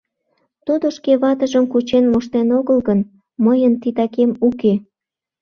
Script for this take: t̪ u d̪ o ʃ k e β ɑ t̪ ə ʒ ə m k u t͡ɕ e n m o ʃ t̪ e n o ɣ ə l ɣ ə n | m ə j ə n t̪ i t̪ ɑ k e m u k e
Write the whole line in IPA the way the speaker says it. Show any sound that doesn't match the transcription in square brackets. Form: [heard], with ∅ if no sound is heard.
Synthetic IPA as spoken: t̪ u d̪ o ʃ k e β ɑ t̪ ə ʒ ə m k u t͡ɕ e n m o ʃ t̪ e n o ɣ ə l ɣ ə n | m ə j ə n t̪ i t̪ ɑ k e m u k e